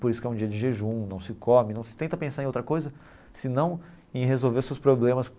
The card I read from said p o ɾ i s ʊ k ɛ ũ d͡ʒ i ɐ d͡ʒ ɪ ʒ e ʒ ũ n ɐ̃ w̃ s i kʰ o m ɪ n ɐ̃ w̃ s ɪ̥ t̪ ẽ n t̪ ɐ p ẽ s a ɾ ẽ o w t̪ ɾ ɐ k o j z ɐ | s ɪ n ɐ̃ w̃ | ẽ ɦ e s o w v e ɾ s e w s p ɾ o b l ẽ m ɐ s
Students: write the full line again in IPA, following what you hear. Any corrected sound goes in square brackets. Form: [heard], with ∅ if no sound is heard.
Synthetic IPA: p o ɾ i s ʊ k ɛ ũ d͡ʒ i ɐ d͡ʒ ɪ ʒ e ʒ ũ n ɐ̃ w̃ s [ɪ] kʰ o m ɪ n ɐ̃ w̃ s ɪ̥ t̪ ẽ n t̪ ɐ p ẽ s a ɾ ẽ o w t̪ ɾ ɐ k o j z ɐ | s ɪ n ɐ̃ w̃ | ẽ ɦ e [z] o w v e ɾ s e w s p ɾ o b l ẽ m ɐ s